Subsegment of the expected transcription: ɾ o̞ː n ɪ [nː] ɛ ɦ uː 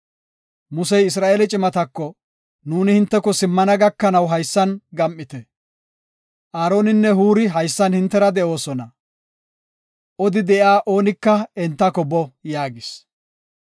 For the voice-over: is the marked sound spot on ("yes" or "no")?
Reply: yes